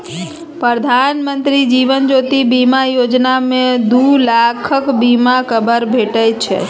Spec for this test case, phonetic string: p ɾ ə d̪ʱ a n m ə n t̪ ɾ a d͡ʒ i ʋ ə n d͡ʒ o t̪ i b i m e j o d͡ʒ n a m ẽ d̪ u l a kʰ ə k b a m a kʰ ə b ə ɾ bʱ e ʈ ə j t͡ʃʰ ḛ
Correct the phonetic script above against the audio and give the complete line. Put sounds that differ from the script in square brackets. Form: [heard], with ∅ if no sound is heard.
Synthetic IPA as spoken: p ɾ ə d̪ʱ a n m ə n t̪ ɾ [i] d͡ʒ i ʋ ə n d͡ʒ o t̪ i b i m [a] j o d͡ʒ n a m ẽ d̪ u l a kʰ ə k b [i] m a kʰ ə b ə ɾ bʱ e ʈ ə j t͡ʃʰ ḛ